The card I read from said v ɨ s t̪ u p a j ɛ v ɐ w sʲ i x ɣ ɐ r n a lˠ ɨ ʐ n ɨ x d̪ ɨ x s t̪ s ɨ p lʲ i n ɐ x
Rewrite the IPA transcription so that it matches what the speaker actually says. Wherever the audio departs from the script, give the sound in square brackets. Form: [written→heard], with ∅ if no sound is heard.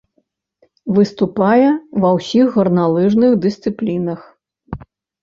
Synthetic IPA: v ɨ s t̪ u p a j ɛ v ɐ w sʲ i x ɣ ɐ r n a lˠ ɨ ʐ n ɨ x d̪ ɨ [x→∅] s t̪ s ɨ p lʲ i n ɐ x